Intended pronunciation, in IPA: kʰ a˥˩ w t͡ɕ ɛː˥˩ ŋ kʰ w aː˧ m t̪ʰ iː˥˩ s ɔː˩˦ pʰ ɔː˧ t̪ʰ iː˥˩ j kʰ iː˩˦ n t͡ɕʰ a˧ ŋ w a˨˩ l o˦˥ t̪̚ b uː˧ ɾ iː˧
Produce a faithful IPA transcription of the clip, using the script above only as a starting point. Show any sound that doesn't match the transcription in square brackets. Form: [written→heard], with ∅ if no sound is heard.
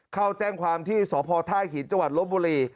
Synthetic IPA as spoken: kʰ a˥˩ w t͡ɕ ɛː˥˩ ŋ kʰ w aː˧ m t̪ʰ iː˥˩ s ɔː˩˦ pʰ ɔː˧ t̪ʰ [iː˥˩→aː˥˩] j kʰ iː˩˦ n [t͡ɕʰ→t͡ɕ] a˧ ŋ w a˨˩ l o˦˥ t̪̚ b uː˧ ɾ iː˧